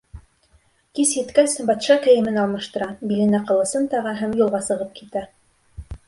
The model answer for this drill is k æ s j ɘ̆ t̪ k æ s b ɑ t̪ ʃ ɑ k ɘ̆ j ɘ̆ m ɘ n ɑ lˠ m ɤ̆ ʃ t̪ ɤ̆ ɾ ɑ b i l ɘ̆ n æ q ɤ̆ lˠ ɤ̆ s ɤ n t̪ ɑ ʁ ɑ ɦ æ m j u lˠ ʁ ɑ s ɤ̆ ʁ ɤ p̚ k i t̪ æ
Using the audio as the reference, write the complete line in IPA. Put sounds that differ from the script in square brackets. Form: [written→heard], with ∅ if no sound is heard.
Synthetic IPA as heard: k [æ→i] s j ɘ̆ t̪ k æ s b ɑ t̪ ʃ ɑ k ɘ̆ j ɘ̆ m ɘ n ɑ lˠ m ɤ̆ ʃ t̪ ɤ̆ ɾ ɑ b i l ɘ̆ n æ q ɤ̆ lˠ ɤ̆ s ɤ n t̪ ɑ ʁ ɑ ɦ æ m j u lˠ ʁ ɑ s ɤ̆ ʁ ɤ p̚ k i t̪ æ

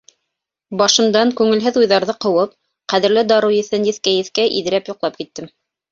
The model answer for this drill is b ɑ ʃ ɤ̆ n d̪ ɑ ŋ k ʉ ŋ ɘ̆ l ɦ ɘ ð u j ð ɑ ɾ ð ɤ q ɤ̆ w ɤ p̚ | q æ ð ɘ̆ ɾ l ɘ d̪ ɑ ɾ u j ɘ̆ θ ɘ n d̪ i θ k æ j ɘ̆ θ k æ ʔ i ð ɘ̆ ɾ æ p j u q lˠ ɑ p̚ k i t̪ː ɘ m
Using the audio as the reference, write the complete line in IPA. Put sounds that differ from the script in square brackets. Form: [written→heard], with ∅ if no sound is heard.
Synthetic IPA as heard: b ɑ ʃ ɤ̆ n d̪ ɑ ŋ k ʉ ŋ ɘ̆ l ɦ ɘ ð u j ð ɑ ɾ ð ɤ q ɤ̆ w ɤ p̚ | q æ ð ɘ̆ ɾ l ɘ d̪ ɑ ɾ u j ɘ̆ θ ɘ n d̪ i θ k æ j ɘ̆ θ k æ ʔ i ð ɘ̆ ɾ æ p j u q lˠ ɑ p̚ k i t̪ː ɘ m

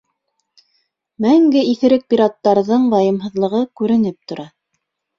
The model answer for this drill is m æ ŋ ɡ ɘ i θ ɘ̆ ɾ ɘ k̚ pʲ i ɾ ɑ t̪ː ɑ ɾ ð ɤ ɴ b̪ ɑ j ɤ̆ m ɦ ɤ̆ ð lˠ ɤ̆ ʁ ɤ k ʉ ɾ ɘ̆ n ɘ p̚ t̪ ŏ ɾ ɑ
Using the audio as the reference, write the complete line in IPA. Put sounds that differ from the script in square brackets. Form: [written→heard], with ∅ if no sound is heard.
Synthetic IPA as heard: m æ ŋ ɡ ɘ i θ ɘ̆ ɾ ɘ k̚ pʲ i ɾ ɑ t̪ː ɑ ɾ ð ɤ ɴ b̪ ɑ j ɤ̆ m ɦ ɤ̆ ð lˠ ɤ̆ ʁ ɤ k ʉ ɾ ɘ̆ n ɘ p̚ t̪ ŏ ɾ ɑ

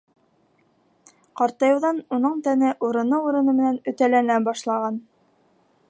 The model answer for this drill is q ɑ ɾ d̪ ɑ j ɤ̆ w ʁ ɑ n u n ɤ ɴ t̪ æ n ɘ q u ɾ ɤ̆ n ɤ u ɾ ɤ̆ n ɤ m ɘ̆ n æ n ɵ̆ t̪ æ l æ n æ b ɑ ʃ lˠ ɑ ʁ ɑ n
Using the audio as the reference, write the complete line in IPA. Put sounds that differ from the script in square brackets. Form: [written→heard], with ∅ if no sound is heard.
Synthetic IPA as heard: q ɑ ɾ [d̪→t̪] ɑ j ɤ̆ w [ʁ→ð] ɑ n u n ɤ ɴ t̪ æ n ɘ [q→ʔ] u ɾ ɤ̆ n ɤ u ɾ ɤ̆ n ɤ m ɘ̆ n æ n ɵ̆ t̪ æ l æ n æ b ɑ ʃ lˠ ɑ ʁ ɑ n

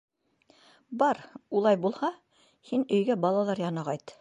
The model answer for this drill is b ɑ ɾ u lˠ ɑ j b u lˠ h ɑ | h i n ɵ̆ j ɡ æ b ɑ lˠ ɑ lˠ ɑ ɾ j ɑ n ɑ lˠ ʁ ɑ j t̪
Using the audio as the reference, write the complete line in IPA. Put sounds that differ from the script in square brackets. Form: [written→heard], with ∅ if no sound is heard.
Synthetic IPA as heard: b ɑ ɾ u lˠ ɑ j b u lˠ h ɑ | h i n ɵ̆ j ɡ æ b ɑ lˠ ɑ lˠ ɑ ɾ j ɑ n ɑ [lˠ→∅] ʁ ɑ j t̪

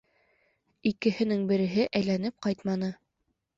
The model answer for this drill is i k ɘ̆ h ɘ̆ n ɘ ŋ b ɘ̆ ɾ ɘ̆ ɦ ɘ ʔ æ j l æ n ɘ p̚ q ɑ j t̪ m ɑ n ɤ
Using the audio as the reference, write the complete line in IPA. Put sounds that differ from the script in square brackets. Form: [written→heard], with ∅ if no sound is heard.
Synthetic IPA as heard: i k ɘ̆ h ɘ̆ n ɘ ŋ b ɘ̆ ɾ ɘ̆ ɦ ɘ ʔ æ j l æ n ɘ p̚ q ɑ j t̪ m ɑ n ɤ

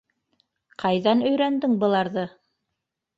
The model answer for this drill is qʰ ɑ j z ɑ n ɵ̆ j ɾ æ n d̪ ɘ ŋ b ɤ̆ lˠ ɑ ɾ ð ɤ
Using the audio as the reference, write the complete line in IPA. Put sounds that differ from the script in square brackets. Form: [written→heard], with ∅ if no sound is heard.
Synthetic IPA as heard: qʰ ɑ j [z→ð] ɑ n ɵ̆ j ɾ æ n d̪ ɘ ŋ b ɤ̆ lˠ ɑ ɾ ð ɤ

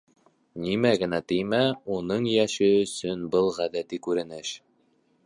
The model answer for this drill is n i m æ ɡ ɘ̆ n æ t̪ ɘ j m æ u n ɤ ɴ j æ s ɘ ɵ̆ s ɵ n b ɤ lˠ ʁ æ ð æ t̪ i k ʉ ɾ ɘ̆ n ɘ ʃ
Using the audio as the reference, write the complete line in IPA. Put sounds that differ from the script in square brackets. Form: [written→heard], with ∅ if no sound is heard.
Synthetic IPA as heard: n i m æ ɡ ɘ̆ n æ t̪ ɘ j m æ u n ɤ ɴ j æ [s→ʃ] ɘ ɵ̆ s ɵ n b ɤ lˠ ʁ æ ð æ t̪ i k ʉ ɾ ɘ̆ n ɘ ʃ

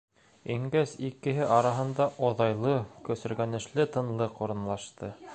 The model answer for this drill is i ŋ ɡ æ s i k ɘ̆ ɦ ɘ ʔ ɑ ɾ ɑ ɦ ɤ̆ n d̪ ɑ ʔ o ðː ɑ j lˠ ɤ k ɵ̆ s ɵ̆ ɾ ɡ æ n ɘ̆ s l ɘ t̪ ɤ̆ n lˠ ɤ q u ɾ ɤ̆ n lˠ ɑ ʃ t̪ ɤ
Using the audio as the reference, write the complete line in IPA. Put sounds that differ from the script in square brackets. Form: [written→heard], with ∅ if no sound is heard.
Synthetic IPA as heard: i ŋ ɡ æ s i k ɘ̆ ɦ ɘ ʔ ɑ ɾ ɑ ɦ ɤ̆ n d̪ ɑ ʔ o [ðː→ð] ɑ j lˠ ɤ k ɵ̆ s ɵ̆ ɾ ɡ æ n ɘ̆ [s→ʃ] l ɘ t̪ ɤ̆ n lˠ ɤ q u ɾ ɤ̆ n lˠ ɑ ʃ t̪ ɤ

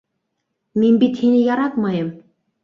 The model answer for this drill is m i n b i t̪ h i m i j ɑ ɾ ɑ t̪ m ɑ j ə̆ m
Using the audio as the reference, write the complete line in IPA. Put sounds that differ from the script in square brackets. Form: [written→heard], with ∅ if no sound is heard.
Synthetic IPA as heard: m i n b i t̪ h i [m→n] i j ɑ ɾ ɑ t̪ m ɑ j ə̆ m

